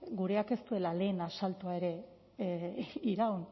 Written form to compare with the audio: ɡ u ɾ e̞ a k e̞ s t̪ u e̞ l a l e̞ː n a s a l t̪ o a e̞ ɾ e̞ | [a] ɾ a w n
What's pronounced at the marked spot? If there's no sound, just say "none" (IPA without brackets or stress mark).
i